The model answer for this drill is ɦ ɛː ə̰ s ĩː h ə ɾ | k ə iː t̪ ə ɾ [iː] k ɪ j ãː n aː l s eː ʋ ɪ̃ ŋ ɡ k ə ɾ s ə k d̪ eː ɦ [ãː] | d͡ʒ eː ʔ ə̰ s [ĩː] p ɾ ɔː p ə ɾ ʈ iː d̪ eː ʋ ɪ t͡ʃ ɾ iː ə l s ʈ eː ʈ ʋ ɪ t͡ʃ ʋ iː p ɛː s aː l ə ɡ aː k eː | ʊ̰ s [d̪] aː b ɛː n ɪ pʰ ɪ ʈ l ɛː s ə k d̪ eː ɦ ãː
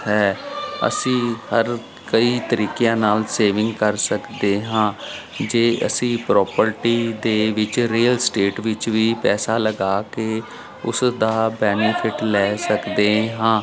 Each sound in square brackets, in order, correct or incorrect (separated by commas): correct, correct, correct, correct